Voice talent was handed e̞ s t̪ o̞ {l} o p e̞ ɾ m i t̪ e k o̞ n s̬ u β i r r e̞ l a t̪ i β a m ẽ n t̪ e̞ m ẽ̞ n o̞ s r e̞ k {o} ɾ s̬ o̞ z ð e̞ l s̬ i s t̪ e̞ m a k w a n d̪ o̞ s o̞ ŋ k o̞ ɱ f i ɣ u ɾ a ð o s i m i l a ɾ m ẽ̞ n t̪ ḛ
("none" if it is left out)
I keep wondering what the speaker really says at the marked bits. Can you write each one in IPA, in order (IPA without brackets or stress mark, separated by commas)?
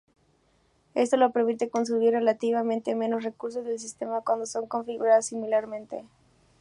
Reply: l, u